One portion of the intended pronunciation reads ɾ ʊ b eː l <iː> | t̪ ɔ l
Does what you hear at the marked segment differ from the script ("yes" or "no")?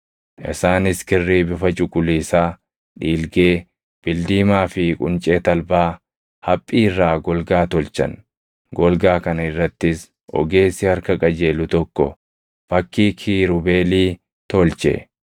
no